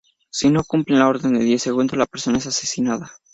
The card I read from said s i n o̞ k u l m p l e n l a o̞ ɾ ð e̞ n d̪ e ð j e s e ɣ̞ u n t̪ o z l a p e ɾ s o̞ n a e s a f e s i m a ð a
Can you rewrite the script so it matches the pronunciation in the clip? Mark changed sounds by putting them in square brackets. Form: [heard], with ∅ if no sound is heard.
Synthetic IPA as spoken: s i n o̞ k u [∅] m p l e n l a o̞ ɾ ð e̞ n d̪ e ð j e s e ɣ̞ u n [d̪] o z l a p e ɾ s o̞ n a e s a [s] e s i [n] a ð a